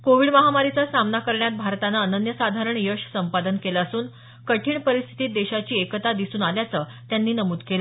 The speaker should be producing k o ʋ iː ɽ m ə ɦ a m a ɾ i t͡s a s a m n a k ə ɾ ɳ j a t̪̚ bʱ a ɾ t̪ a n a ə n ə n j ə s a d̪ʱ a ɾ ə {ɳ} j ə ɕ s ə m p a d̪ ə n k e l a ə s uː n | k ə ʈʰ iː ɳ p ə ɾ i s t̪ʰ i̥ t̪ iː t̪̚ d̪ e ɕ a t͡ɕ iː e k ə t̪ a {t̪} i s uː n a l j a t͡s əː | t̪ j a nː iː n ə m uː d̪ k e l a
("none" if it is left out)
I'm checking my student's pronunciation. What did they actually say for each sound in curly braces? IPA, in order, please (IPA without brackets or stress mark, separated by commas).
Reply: ɳ, d̪